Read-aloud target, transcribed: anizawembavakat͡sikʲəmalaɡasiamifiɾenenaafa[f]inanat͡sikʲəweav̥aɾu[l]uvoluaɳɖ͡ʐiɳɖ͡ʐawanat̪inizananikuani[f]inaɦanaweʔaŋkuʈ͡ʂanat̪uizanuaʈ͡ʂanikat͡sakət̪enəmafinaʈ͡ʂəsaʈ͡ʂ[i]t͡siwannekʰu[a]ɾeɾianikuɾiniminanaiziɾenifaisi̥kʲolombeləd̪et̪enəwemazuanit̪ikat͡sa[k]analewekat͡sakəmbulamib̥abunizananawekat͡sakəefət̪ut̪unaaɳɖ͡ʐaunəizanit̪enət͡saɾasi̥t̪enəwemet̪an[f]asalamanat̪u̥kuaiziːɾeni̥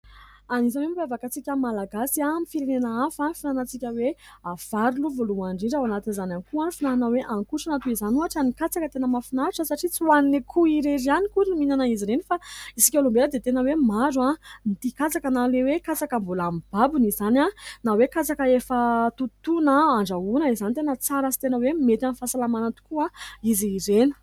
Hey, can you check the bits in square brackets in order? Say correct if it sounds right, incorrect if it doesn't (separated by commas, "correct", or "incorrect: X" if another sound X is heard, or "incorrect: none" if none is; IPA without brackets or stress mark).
correct, correct, correct, correct, incorrect: i, correct, correct